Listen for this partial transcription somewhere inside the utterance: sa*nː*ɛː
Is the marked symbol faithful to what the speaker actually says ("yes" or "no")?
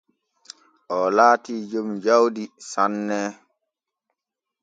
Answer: yes